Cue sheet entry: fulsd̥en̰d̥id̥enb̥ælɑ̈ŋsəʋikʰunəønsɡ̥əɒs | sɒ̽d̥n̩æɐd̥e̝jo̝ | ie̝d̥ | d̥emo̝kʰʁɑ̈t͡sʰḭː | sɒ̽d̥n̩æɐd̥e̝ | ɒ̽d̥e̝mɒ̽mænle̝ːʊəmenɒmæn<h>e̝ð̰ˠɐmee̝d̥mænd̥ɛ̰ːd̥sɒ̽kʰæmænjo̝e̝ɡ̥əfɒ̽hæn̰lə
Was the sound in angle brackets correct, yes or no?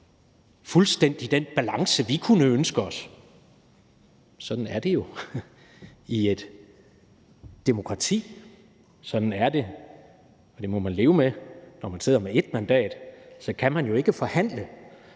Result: no